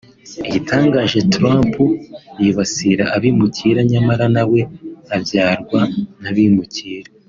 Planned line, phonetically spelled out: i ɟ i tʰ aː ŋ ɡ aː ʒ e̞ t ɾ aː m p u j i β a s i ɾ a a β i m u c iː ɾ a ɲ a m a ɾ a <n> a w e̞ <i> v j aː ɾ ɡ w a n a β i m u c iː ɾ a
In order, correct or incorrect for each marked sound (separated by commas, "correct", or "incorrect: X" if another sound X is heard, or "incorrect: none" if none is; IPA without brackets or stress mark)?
correct, incorrect: a